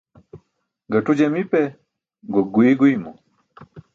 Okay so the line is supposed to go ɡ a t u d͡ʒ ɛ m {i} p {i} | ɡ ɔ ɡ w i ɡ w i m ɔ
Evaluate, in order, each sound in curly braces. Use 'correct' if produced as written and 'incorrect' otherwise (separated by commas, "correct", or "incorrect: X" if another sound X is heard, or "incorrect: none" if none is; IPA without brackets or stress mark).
correct, incorrect: ɛ